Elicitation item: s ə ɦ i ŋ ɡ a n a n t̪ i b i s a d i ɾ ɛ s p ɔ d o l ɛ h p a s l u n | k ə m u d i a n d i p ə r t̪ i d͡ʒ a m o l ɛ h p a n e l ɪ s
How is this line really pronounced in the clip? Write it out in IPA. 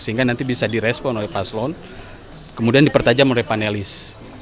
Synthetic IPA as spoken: s ə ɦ i ŋ ɡ a n a n t̪ i b i s a d i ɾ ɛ s p ɔ n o l ɛ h p a s l ɔ n | k ə m u d i a n d i p ə r t̪ a d͡ʒ a m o l ɛ h p a n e l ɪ s